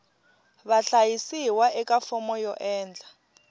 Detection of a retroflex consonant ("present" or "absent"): absent